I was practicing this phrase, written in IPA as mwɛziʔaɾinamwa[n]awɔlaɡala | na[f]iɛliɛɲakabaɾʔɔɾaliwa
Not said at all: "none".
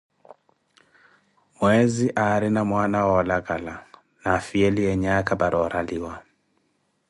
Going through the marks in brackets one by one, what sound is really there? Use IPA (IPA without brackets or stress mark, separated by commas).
n, f